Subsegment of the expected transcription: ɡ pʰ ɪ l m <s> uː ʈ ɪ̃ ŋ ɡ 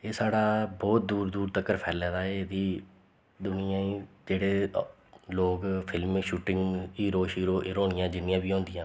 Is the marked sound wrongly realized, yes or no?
yes